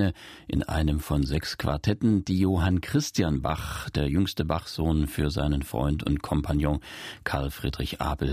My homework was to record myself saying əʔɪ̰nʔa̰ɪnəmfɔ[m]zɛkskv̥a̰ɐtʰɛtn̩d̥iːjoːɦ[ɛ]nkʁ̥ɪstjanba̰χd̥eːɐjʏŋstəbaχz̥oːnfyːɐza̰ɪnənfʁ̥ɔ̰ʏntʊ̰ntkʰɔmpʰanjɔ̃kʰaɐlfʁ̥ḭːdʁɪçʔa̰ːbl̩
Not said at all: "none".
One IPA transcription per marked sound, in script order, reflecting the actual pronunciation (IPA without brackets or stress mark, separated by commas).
n, a